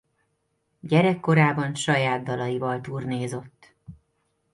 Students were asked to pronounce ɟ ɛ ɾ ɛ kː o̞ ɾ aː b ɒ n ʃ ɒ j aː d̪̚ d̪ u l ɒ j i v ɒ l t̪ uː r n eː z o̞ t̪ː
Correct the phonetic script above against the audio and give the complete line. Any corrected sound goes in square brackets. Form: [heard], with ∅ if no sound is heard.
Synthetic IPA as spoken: ɟ ɛ ɾ ɛ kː o̞ ɾ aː b ɒ n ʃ ɒ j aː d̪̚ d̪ [ɒ] l ɒ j i v ɒ l t̪ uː r n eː z o̞ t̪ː